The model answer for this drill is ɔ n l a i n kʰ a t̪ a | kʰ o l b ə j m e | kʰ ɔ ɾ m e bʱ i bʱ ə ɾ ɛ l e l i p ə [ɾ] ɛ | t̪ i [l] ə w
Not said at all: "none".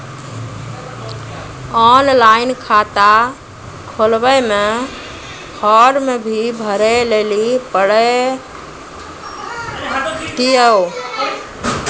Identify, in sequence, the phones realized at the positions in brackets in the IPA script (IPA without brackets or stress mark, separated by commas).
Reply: ɽ, none